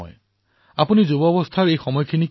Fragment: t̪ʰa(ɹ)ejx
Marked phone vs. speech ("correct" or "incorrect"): correct